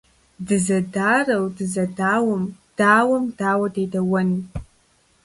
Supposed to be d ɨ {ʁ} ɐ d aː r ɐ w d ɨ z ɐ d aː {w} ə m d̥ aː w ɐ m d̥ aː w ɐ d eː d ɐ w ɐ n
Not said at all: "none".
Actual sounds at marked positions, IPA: z, w

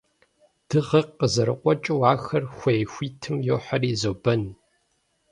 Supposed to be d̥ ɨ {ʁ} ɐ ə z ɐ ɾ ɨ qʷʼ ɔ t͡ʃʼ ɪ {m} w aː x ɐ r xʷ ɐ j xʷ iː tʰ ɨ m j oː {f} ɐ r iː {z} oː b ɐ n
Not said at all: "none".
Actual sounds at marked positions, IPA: ʁ, none, ħ, z

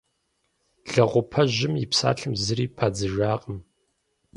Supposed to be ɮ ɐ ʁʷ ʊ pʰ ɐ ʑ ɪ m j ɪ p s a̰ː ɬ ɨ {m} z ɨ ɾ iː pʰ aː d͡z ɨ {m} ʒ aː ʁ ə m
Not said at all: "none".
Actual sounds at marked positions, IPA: m, none

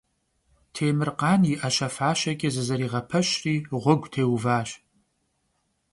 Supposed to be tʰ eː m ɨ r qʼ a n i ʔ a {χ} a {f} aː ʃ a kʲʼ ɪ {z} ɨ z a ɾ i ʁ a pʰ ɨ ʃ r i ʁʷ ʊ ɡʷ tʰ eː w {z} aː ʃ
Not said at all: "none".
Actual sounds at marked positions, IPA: ʃ, f, z, v

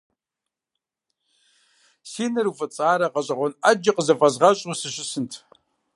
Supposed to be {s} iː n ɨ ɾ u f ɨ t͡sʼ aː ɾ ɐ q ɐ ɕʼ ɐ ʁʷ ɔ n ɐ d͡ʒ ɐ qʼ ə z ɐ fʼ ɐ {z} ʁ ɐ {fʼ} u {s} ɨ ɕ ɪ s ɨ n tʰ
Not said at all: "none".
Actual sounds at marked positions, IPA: s, z, ɕʼ, s

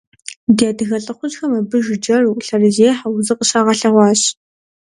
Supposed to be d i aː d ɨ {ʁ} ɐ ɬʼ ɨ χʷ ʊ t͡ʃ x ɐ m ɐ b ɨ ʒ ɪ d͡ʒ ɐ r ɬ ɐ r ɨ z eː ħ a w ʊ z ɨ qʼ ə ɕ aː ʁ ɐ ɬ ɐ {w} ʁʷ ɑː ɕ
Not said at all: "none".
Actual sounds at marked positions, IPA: ɣ, none

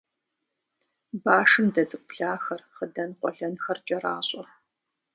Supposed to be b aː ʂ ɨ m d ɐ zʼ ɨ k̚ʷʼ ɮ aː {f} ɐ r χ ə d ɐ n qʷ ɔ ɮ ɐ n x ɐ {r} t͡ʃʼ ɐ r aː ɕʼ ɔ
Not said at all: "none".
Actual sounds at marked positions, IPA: x, r

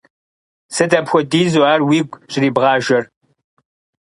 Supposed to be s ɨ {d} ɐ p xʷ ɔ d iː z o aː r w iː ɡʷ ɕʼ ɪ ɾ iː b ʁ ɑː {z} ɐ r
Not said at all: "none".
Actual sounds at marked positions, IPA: d, ʒ

